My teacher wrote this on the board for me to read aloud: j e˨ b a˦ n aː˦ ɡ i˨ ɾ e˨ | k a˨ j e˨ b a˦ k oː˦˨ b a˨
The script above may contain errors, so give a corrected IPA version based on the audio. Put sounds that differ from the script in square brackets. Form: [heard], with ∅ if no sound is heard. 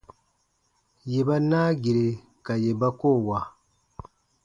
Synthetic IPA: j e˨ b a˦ n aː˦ ɡ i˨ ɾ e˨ | k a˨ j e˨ b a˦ k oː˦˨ [w] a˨